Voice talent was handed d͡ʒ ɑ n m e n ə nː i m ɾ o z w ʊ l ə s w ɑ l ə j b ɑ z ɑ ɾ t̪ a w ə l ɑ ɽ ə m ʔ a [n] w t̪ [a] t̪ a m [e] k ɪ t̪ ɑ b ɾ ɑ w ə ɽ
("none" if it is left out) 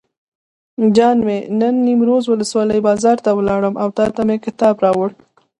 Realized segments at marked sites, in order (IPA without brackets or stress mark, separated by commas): none, ɑ, e